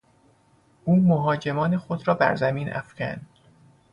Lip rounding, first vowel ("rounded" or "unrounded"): rounded